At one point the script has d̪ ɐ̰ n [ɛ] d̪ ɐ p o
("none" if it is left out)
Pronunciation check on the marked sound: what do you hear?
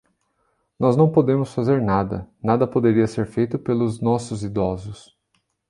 a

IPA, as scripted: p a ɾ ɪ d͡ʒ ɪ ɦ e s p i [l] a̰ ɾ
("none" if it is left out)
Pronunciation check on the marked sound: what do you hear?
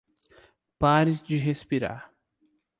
ɾ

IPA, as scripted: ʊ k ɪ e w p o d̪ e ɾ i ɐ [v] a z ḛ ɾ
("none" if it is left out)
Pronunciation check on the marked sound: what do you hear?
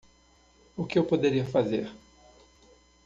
f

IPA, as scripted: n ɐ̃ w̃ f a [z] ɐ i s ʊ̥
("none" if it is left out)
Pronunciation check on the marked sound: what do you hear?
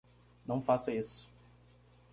s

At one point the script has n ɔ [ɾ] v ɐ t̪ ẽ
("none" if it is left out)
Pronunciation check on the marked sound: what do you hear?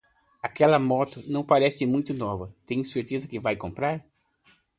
none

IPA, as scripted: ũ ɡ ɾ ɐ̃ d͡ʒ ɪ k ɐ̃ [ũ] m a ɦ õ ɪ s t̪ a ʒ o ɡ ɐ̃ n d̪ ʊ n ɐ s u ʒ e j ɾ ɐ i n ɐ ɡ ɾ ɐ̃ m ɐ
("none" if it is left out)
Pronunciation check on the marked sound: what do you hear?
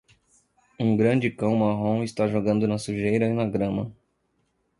w̃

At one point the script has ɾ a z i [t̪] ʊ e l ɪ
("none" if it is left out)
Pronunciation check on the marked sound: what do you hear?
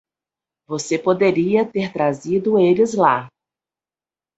d̪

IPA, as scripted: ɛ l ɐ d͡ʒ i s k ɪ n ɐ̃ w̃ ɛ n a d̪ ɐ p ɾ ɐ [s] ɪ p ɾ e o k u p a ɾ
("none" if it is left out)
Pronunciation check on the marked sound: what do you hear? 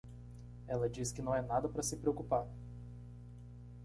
s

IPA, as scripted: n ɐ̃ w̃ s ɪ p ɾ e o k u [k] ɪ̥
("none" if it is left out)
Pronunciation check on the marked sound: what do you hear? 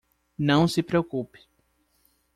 p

